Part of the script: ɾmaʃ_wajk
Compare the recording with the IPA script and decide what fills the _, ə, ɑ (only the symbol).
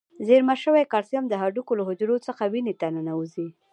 ə